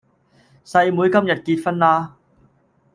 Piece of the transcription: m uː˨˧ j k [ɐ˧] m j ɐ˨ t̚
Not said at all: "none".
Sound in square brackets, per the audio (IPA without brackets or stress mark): ɐ˥